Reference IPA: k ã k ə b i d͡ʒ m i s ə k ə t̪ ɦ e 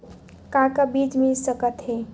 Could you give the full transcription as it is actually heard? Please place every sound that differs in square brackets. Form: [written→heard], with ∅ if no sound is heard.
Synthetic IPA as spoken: k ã k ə b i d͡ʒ m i s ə k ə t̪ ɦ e